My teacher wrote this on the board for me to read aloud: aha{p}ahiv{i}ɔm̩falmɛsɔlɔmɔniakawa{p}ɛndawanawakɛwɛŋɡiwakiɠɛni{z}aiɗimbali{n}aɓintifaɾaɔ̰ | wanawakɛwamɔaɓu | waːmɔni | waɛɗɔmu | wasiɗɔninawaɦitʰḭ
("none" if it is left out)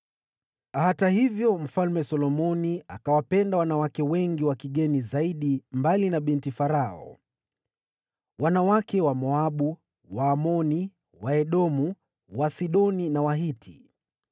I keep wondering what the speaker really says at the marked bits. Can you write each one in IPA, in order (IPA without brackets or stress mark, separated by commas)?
t, j, p, z, n